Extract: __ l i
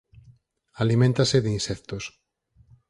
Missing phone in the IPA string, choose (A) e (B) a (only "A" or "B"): B